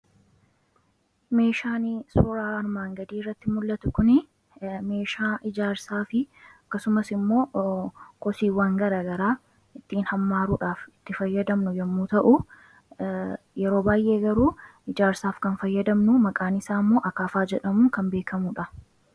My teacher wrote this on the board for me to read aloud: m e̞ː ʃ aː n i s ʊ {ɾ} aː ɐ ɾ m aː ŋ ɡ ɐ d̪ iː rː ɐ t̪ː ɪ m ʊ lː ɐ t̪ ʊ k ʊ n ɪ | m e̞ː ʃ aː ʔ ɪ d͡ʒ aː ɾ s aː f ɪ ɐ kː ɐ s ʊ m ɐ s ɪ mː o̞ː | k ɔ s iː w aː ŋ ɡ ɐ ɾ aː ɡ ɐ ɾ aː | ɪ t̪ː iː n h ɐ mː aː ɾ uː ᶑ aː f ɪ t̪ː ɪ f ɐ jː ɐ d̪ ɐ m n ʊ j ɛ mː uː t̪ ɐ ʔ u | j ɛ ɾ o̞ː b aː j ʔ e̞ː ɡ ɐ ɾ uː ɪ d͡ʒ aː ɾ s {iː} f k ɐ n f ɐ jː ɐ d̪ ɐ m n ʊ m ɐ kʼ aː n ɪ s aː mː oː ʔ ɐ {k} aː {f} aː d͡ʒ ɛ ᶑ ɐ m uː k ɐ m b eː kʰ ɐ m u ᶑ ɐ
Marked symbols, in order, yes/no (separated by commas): yes, no, yes, yes